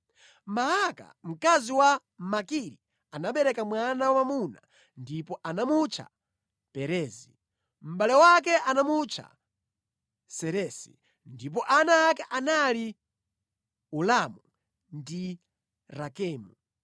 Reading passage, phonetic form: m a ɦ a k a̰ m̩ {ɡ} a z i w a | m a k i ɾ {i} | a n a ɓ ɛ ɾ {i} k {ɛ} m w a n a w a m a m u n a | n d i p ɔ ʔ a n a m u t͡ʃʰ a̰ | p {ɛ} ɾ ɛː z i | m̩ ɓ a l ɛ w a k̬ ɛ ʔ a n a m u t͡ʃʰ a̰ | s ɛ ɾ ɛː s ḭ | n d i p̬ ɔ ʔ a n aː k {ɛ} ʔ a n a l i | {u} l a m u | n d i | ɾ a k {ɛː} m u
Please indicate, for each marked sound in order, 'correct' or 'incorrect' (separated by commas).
incorrect, correct, incorrect, incorrect, correct, correct, correct, correct